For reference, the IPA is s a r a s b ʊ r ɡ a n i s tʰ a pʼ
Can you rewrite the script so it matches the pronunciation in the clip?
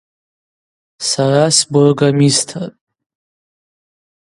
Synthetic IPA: s a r a s b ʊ r ɡ a m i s tʰ a tʼ